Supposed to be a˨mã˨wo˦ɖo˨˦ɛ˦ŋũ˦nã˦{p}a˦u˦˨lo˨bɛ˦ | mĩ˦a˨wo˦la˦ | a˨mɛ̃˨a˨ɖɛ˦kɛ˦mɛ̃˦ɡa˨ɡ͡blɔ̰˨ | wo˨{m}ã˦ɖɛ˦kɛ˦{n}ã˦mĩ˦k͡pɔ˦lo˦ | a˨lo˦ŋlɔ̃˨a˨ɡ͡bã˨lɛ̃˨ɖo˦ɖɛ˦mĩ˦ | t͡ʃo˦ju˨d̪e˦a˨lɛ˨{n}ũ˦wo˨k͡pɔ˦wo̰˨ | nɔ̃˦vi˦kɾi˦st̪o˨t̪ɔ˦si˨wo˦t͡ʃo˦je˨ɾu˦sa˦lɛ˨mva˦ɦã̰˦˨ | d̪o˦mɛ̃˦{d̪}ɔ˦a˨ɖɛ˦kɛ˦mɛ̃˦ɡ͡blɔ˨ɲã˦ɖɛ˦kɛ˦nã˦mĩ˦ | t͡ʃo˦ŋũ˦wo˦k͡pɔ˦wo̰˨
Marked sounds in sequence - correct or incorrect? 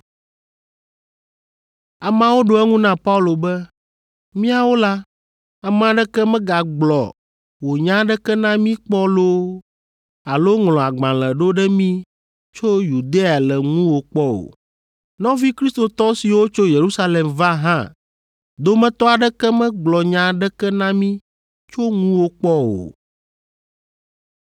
correct, incorrect, correct, incorrect, incorrect

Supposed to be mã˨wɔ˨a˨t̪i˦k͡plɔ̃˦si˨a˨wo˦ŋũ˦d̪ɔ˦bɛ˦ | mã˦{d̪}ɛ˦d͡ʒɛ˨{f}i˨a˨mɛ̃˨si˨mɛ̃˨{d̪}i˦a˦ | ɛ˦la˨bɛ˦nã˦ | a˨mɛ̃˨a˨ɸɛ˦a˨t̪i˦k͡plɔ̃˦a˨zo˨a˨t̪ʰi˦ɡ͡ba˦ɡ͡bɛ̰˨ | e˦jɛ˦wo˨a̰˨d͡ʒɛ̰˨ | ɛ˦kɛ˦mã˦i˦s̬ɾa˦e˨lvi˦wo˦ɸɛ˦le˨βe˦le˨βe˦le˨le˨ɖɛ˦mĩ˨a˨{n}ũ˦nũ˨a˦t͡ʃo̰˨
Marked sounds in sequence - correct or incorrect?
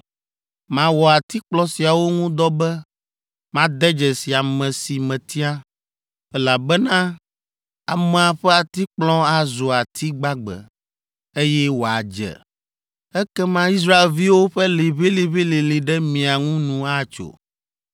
correct, incorrect, incorrect, incorrect

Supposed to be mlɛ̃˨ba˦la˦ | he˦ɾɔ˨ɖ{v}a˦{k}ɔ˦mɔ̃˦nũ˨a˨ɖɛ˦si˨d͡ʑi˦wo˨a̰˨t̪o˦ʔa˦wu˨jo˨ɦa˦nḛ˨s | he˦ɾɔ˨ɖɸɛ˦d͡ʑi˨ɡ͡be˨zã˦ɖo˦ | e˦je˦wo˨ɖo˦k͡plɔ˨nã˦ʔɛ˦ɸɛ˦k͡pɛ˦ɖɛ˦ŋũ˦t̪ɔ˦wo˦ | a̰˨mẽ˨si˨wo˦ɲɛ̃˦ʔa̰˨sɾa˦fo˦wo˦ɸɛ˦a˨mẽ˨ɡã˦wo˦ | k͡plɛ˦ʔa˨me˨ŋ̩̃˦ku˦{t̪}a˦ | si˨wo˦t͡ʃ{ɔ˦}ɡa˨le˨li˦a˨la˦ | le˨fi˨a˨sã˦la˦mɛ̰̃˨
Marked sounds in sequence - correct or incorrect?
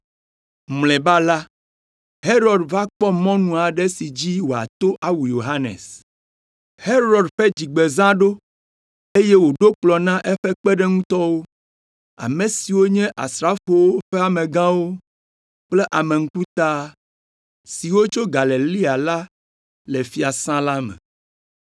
correct, incorrect, correct, incorrect

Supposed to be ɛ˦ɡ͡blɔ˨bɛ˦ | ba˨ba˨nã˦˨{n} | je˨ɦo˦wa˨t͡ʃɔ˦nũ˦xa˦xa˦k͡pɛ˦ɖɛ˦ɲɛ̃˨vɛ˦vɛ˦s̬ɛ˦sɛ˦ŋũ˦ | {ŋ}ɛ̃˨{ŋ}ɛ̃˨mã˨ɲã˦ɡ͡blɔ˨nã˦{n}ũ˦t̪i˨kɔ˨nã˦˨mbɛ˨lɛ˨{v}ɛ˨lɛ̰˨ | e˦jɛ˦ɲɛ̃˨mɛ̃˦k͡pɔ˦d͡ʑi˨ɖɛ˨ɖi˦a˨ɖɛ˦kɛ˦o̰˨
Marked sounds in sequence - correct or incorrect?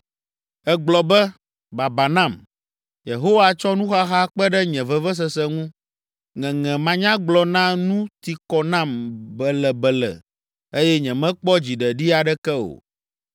incorrect, correct, correct, correct, incorrect

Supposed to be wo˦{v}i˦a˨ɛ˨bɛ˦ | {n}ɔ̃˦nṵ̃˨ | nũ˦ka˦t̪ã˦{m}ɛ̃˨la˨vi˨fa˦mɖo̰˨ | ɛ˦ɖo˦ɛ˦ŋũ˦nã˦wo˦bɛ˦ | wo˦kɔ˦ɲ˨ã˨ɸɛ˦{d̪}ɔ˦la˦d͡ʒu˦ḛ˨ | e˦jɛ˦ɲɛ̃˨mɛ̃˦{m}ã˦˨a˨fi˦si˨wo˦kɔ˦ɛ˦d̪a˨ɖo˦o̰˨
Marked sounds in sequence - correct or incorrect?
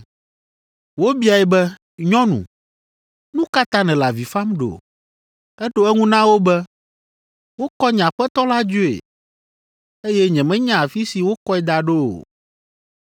incorrect, incorrect, incorrect, incorrect, incorrect

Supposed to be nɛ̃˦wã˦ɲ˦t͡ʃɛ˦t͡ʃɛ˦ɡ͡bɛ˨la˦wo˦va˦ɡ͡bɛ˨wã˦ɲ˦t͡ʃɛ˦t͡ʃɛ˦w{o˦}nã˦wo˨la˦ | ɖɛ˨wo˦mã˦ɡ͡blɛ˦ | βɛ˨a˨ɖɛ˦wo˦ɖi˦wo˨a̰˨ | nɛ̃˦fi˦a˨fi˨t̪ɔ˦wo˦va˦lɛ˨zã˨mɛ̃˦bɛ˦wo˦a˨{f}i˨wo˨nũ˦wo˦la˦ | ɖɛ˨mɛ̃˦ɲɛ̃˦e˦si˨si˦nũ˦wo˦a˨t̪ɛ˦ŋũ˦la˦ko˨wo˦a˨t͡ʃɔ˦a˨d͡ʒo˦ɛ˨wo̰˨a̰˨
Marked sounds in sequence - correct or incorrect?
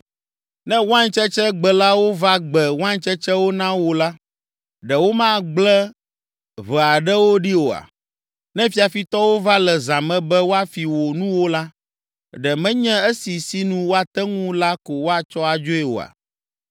correct, correct

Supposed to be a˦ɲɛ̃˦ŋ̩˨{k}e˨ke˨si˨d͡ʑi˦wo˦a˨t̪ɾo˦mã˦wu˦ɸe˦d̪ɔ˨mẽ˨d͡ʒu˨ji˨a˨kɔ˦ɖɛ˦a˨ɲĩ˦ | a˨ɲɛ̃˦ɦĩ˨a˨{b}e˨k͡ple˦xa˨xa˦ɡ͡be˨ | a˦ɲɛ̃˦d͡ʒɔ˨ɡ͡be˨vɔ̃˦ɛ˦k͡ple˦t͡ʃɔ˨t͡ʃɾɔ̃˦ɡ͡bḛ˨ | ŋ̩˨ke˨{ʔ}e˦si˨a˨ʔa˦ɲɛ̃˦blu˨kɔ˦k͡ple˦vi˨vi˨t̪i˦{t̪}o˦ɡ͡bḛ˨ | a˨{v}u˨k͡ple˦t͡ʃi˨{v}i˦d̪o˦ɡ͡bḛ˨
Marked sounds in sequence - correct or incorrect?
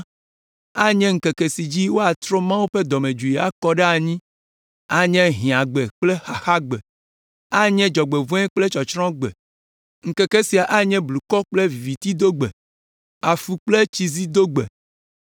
correct, incorrect, incorrect, incorrect, incorrect, incorrect

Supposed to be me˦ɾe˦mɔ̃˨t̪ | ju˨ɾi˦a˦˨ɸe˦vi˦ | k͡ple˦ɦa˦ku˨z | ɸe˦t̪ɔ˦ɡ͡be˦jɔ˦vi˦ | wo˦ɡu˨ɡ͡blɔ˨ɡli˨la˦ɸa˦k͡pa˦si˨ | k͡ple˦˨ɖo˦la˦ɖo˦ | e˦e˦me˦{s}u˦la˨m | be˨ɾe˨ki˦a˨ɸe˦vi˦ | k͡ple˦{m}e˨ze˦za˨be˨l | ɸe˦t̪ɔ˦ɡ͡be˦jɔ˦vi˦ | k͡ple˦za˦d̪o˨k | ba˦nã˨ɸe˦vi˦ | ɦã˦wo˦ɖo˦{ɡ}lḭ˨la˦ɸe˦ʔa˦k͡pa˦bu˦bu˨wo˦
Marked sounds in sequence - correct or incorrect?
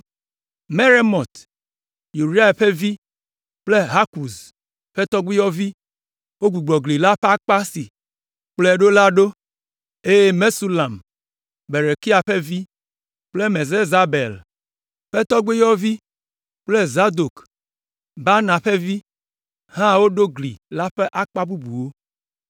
correct, correct, correct

